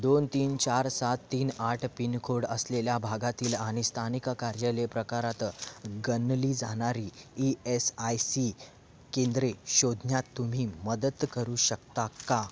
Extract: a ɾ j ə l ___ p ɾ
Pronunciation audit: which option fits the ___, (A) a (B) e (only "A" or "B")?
B